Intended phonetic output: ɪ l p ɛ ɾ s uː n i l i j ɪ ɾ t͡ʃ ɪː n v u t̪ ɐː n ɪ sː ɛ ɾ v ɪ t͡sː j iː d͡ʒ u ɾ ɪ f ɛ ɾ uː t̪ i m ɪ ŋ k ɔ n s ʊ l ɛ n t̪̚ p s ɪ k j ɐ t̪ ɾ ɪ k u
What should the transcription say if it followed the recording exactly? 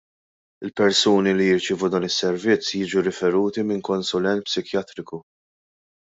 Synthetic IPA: ɪ l p ɛ ɾ s uː n i l i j ɪ ɾ t͡ʃ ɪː v u d̪ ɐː n ɪ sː ɛ ɾ v ɪ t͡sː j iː d͡ʒ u ɾ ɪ f ɛ ɾ uː t̪ i m ɪ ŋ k ɔ n s ʊ l ɛ n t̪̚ p s ɪ k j ɐ t̪ ɾ ɪ k u